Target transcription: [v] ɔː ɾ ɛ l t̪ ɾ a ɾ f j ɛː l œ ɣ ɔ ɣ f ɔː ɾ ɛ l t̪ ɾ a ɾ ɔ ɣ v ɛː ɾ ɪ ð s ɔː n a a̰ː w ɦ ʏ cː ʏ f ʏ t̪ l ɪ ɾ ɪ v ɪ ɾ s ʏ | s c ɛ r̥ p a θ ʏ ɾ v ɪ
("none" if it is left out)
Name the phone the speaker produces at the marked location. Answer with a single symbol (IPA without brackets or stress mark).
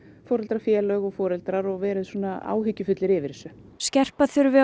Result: f